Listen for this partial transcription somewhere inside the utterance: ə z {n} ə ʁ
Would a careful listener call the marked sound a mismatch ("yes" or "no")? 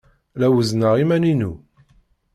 no